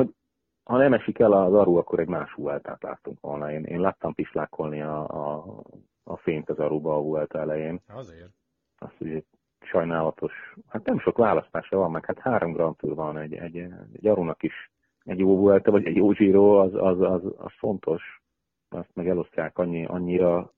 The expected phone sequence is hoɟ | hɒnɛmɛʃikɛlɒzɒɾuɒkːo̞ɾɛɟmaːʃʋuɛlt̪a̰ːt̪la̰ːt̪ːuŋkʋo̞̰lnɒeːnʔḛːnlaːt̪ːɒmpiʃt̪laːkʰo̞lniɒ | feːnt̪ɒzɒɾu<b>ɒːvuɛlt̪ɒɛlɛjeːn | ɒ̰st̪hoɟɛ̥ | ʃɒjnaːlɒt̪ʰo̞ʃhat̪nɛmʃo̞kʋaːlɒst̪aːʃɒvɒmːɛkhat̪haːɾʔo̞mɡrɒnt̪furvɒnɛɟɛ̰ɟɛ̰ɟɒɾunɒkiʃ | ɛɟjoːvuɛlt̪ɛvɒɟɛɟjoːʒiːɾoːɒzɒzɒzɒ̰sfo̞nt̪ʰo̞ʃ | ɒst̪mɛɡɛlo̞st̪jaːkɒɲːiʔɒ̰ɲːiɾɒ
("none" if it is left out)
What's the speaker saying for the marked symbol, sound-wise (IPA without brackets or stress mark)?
b